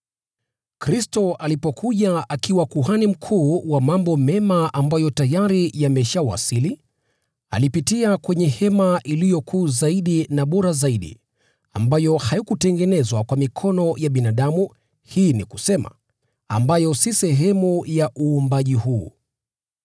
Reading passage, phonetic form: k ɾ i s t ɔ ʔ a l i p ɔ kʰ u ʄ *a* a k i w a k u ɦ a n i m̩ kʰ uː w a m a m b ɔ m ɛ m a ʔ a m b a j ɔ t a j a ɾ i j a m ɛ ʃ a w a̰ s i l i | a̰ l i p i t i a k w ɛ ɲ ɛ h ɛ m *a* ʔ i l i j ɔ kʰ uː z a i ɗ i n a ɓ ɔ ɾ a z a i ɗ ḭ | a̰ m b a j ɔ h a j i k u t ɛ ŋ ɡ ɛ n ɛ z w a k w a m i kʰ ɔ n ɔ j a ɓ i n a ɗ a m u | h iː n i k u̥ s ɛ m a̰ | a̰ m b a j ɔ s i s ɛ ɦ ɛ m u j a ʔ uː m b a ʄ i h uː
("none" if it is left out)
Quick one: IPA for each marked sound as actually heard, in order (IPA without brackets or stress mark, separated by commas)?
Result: a, a